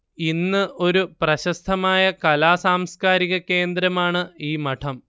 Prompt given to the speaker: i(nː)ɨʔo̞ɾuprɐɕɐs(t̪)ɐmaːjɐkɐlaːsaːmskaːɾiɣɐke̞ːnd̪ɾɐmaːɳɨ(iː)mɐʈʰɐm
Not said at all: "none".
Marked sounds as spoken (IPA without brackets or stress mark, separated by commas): nː, t̪ʰ, iː